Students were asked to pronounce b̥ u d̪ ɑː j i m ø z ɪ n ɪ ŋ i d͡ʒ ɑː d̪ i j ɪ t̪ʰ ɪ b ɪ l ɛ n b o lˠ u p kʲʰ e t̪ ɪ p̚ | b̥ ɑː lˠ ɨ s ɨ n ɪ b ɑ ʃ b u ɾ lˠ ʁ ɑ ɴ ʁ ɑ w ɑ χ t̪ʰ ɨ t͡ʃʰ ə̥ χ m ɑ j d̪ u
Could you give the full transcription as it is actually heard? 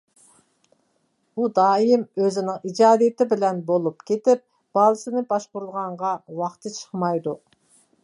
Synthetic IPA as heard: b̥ u d̪ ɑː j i m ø z ɪ n ɪ ŋ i d͡ʒ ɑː d̪ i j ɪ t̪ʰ ɪ b ɪ l ɛ n b o lˠ u p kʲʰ e t̪ ɪ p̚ | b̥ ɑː lˠ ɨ s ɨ n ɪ b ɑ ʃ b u ɾ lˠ ʁ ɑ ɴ ʁ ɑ w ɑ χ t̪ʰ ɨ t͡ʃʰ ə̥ χ m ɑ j d̪ u